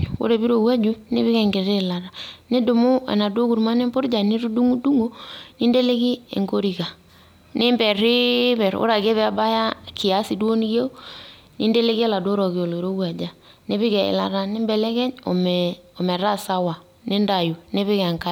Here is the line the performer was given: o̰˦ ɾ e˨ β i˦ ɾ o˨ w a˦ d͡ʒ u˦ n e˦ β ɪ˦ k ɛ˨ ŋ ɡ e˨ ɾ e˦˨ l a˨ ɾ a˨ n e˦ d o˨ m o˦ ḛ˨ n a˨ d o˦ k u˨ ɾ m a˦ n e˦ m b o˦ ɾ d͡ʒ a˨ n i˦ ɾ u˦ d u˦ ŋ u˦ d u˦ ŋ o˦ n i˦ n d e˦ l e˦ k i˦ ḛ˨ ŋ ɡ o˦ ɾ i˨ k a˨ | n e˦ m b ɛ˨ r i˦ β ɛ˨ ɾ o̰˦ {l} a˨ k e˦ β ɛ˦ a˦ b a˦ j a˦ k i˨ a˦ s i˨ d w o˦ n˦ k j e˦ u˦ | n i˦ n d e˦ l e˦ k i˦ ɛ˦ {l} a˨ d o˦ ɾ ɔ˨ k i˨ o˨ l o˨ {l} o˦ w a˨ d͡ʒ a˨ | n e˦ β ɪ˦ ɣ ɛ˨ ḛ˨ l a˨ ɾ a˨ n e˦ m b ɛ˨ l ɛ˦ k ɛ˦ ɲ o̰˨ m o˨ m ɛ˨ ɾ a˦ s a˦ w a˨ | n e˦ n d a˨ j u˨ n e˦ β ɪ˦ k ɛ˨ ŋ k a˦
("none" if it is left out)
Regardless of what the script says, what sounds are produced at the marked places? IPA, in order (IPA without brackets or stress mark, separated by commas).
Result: ɾ, l, ɾ